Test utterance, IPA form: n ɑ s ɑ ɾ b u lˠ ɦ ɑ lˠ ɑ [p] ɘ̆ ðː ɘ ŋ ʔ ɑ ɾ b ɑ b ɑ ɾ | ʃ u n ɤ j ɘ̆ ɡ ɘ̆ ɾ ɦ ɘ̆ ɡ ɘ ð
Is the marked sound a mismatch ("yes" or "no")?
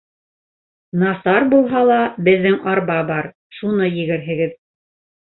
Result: yes